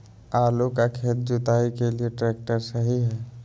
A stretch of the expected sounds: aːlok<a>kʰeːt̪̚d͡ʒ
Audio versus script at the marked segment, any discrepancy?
no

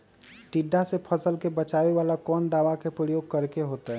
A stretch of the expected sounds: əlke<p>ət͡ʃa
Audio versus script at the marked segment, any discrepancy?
yes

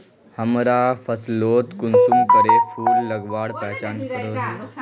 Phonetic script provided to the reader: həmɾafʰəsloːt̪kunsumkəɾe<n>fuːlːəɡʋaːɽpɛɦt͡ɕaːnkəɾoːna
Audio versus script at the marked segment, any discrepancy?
yes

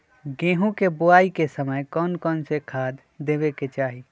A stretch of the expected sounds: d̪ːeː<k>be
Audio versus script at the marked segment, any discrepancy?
yes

